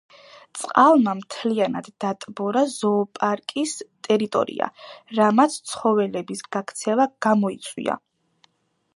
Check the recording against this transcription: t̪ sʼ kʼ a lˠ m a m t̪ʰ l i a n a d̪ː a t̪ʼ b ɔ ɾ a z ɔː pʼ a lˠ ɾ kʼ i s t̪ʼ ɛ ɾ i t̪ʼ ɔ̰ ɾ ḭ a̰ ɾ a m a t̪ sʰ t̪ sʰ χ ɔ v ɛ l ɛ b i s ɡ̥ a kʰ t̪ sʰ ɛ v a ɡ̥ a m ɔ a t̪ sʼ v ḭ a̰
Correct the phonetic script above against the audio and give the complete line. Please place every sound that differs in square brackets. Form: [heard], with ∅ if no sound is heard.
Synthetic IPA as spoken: t̪ sʼ [qʼ] a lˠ m a m t̪ʰ l i a n a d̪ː a t̪ʼ b ɔ ɾ a z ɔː pʼ a [∅] ɾ kʼ i s t̪ʼ ɛ ɾ i t̪ʼ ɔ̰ ɾ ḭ a̰ ɾ a m a t̪ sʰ t̪ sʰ χ ɔ v ɛ l ɛ b i s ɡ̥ a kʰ t̪ sʰ ɛ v a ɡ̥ a m ɔ [i] t̪ sʼ [w] ḭ a̰